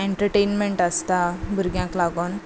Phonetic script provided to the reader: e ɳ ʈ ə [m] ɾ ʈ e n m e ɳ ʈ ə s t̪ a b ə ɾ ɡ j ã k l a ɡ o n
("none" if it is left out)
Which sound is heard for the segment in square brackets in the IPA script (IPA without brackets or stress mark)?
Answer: none